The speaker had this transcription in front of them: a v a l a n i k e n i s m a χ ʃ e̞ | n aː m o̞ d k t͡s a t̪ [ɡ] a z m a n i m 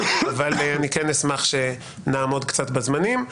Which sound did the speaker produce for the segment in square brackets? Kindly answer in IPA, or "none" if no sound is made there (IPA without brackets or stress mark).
b